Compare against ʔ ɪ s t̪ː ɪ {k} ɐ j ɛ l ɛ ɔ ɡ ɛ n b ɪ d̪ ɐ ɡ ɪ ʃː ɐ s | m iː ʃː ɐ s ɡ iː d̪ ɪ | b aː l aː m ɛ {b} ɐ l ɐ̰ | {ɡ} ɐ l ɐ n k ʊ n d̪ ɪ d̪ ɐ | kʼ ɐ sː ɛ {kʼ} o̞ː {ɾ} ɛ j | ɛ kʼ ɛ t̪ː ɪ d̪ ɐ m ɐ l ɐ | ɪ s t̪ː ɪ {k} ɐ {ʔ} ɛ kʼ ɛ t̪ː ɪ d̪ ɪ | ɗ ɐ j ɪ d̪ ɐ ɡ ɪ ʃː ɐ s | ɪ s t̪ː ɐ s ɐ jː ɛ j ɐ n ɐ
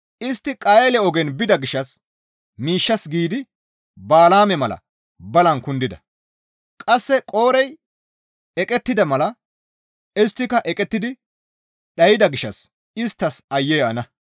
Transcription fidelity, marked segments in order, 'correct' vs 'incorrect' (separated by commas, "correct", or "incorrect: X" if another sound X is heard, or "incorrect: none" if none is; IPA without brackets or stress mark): incorrect: kʼ, incorrect: m, incorrect: b, correct, correct, correct, correct